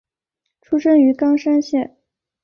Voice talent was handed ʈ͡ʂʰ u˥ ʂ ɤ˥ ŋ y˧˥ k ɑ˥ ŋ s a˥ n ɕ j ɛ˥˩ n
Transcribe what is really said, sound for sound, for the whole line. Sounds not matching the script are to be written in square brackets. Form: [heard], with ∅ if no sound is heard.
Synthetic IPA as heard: ʈ͡ʂʰ u˥ ʂ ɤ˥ ŋ y˧˥ k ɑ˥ ŋ [ʂ] a˥ n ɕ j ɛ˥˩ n